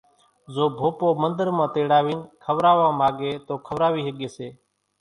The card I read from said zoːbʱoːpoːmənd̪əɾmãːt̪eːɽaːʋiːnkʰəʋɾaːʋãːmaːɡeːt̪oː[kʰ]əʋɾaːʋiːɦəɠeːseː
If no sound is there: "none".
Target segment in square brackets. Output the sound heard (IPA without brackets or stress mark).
kʰ